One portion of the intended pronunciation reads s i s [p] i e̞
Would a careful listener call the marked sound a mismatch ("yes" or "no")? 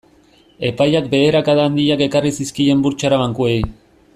yes